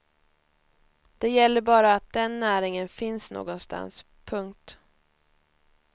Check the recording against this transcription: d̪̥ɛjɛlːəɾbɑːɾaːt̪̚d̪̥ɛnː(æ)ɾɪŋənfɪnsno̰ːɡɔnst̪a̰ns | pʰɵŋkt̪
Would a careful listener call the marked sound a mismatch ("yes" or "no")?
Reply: yes